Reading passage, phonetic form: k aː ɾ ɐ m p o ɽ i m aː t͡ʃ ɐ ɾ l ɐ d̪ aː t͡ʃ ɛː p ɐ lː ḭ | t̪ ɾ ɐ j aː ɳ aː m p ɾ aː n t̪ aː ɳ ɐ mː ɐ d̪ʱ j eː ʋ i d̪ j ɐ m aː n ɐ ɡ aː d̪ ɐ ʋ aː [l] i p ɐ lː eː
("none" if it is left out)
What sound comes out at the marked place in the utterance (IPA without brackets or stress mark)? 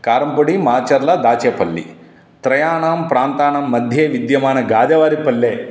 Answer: ɾ